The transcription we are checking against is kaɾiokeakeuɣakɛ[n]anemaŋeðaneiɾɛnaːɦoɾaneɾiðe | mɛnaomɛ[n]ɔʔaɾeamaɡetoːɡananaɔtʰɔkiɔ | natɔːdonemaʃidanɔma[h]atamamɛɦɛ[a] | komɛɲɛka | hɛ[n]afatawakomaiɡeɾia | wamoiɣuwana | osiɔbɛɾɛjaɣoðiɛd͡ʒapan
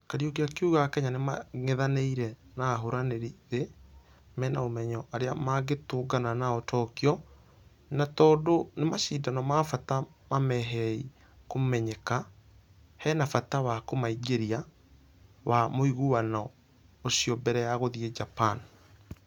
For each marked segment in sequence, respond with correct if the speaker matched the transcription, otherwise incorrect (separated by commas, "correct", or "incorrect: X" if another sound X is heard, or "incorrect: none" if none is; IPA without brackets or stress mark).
incorrect: ɲ, incorrect: ɲ, incorrect: f, incorrect: i, correct